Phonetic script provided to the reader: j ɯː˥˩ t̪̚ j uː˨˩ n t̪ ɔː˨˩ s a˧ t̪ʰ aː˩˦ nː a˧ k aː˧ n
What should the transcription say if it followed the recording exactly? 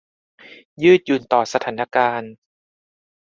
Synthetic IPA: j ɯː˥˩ t̪̚ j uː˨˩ n t̪ ɔː˨˩ s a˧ t̪ʰ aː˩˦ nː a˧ k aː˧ n